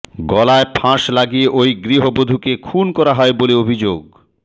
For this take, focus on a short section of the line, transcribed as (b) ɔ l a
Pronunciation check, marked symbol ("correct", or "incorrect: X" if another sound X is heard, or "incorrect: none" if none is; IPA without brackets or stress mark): incorrect: ɡ